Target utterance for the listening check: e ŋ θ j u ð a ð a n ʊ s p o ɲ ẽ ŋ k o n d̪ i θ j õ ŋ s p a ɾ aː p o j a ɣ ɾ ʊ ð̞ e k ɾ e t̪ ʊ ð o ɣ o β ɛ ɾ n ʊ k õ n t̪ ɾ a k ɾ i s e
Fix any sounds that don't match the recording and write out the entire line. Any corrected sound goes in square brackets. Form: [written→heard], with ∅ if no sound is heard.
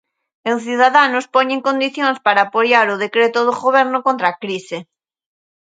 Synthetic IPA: e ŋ θ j u ð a ð a n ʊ s p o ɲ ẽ ŋ k o n d̪ i θ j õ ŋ s p a ɾ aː p o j a [ɣ→∅] ɾ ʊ ð̞ e k ɾ e t̪ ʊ ð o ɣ o β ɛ ɾ n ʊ k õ n t̪ ɾ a k ɾ i s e